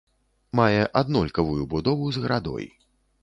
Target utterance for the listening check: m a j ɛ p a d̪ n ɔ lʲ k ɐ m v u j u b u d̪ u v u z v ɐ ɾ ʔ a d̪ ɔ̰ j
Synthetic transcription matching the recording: m a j ɛ ʔ a d̪ n ɔ lʲ k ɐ v u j u b u d̪ ɔ v u z ɣ ɐ ɾ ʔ a d̪ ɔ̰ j

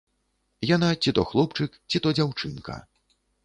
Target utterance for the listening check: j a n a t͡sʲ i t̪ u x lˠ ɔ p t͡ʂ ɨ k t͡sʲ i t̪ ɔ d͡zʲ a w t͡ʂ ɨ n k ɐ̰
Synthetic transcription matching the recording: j a n a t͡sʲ i t̪ ɔ x lˠ ɔ p t͡ʂ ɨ k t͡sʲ i t̪ ɔ d͡zʲ a w t͡ʂ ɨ n k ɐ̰

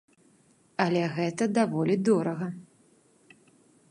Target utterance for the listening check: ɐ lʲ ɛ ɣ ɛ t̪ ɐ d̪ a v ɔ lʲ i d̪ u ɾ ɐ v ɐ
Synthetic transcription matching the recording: ɐ lʲ ɛ ɣ ɛ t̪ ɐ d̪ a v ɔ lʲ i d̪ ɔ ɾ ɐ ɣ ɐ

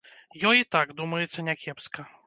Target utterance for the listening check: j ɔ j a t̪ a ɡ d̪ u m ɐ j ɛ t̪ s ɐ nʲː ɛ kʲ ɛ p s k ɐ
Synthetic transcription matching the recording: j ɔ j i t̪ a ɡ d̪ u m ɐ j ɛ t̪ s ɐ nʲ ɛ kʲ ɛ p s k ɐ

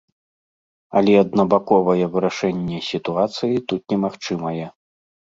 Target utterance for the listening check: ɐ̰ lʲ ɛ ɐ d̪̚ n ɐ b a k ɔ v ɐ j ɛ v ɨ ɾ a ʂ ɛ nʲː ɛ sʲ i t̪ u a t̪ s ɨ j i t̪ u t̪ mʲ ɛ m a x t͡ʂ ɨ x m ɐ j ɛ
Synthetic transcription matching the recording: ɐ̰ lʲ ɛ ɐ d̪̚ n ɐ b a k ɔ v ɐ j ɛ v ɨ ɾ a ʂ ɛ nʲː ɛ sʲ i t̪ u a t̪ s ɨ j i t̪ u t̪ nʲ ɛ m a x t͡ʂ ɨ m ɐ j ɛ

